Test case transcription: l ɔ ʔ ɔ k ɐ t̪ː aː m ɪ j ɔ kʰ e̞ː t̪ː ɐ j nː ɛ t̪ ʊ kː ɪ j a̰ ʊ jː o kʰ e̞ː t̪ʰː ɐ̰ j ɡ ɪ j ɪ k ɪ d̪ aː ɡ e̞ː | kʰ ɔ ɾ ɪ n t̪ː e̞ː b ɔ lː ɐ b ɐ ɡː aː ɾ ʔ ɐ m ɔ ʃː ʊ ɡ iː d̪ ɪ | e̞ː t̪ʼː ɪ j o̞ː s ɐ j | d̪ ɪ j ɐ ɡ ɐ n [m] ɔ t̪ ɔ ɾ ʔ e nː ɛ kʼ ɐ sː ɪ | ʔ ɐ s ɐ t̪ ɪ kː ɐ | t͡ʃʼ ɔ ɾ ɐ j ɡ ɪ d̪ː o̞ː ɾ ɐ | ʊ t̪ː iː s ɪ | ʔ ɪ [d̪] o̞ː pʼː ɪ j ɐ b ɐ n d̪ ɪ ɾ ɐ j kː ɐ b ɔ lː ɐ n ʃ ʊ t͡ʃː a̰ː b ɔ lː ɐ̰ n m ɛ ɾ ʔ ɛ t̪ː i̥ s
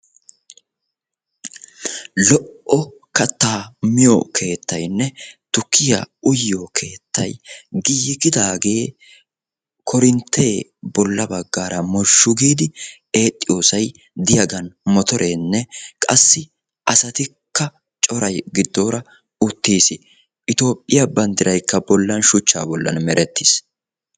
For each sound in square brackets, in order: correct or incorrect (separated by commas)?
correct, incorrect